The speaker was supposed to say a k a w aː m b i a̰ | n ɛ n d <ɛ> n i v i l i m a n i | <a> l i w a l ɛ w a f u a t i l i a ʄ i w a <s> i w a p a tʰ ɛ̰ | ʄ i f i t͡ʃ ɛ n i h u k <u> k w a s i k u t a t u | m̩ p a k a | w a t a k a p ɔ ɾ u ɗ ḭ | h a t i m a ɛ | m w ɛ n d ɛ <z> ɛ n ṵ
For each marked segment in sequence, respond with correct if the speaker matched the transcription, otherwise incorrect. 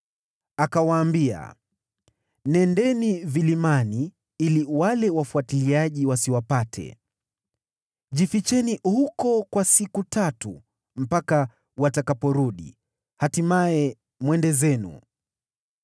correct, incorrect: i, correct, incorrect: ɔ, correct

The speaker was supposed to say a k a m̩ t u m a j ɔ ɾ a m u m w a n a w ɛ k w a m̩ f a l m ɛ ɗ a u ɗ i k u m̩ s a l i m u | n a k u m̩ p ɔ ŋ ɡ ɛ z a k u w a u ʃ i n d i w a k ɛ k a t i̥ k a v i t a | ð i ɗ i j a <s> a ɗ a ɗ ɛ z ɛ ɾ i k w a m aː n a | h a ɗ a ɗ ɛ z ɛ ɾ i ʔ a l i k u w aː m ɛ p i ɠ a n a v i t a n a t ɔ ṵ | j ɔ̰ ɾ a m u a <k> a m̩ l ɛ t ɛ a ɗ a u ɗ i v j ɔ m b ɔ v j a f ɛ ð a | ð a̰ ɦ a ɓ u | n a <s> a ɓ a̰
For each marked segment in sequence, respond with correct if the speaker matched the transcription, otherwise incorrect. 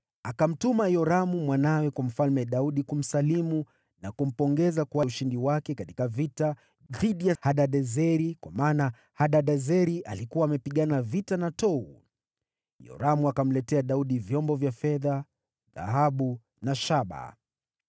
incorrect: h, correct, incorrect: ʃ

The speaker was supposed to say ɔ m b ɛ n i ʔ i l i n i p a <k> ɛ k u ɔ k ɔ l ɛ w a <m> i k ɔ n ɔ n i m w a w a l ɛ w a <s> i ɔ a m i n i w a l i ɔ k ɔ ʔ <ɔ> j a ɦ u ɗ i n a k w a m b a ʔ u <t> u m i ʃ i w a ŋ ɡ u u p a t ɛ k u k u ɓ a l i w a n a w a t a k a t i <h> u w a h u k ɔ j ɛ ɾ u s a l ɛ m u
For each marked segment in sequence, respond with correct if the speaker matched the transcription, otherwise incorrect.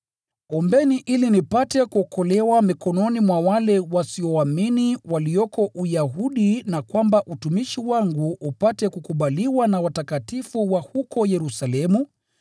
incorrect: t, correct, correct, incorrect: u, correct, incorrect: f

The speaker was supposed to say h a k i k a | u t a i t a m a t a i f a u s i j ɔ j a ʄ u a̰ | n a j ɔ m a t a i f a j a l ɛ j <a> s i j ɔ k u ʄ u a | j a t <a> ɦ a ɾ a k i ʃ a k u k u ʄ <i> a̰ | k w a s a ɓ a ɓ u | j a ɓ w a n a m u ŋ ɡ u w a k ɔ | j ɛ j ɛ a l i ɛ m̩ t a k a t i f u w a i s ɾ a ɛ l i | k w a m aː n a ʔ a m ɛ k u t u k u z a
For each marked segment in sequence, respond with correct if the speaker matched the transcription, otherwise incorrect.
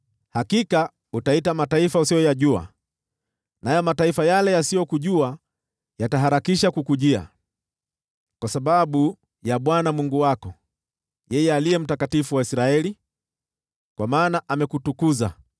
correct, correct, correct

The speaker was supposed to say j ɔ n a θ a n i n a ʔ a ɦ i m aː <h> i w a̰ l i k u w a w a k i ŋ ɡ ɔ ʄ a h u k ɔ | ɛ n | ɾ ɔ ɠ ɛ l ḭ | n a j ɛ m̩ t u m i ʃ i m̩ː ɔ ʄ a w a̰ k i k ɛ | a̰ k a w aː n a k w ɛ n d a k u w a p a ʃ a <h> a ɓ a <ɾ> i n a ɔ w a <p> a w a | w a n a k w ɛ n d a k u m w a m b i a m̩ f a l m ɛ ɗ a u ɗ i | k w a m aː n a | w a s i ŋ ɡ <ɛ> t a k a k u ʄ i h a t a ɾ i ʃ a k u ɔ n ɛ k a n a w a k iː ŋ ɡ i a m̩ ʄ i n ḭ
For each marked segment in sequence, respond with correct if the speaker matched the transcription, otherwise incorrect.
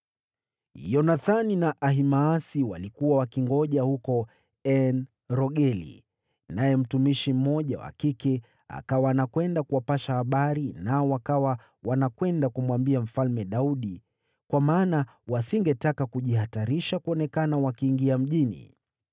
incorrect: s, correct, correct, incorrect: k, correct

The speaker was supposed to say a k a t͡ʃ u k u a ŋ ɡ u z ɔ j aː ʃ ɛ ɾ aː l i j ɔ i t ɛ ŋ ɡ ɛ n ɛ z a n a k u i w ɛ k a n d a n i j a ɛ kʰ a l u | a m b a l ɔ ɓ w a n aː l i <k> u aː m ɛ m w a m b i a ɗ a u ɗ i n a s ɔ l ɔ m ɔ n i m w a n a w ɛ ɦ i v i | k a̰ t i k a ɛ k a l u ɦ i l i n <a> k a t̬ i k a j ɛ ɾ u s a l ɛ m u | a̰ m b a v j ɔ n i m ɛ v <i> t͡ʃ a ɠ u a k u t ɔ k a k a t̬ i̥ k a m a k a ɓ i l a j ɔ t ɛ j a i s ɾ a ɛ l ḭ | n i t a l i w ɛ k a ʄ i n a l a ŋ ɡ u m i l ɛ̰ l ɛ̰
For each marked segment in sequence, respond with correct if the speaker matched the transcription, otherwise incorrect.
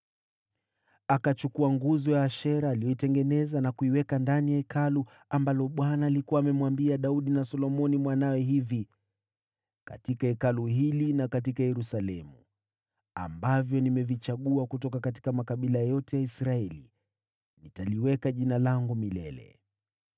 correct, correct, correct

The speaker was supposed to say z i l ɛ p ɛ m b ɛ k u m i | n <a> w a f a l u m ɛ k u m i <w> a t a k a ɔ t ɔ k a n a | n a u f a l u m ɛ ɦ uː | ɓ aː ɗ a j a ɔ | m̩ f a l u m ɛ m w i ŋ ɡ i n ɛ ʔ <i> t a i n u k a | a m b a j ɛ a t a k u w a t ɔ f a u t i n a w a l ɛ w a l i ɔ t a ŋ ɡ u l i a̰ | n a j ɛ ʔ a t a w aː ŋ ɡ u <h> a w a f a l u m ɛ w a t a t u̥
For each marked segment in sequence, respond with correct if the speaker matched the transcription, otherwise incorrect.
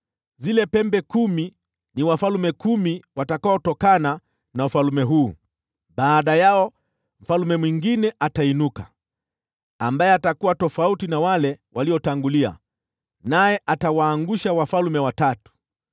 incorrect: i, correct, incorrect: a, incorrect: ʃ

